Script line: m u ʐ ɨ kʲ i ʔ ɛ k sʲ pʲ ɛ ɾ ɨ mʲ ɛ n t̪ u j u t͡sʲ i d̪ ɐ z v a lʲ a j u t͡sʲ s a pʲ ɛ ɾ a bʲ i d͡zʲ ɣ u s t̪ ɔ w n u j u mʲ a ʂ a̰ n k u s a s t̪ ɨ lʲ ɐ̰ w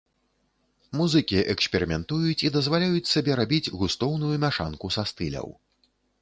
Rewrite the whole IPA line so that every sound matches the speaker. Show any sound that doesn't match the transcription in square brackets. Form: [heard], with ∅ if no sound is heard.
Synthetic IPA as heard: m u [z] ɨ kʲ i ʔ ɛ k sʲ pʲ ɛ ɾ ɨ mʲ ɛ n t̪ u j u t͡sʲ i d̪ ɐ z v a lʲ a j u t͡sʲ s a [bʲ] ɛ ɾ a bʲ i d͡zʲ ɣ u s t̪ ɔ w n u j u mʲ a ʂ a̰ n k u s a s t̪ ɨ lʲ ɐ̰ w